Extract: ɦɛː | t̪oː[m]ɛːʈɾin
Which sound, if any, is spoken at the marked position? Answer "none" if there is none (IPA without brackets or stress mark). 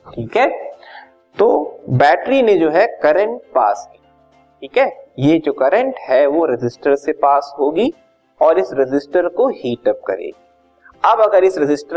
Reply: b